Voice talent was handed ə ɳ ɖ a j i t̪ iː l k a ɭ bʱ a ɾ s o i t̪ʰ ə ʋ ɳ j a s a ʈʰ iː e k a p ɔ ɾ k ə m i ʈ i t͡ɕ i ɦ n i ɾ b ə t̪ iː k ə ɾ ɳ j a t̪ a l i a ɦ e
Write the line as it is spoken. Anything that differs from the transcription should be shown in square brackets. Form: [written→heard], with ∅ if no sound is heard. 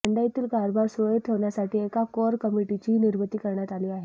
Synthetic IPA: ə ɳ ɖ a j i t̪ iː l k a [ɭ→ɾ] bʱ a ɾ s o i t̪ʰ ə ʋ ɳ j a s a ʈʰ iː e k a [p→k] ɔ ɾ k ə m i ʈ i t͡ɕ i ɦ n i ɾ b ə t̪ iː k ə ɾ ɳ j a t̪ a l i a ɦ e